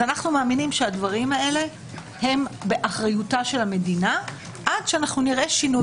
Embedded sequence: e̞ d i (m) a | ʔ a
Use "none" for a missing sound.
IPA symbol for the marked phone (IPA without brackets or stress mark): n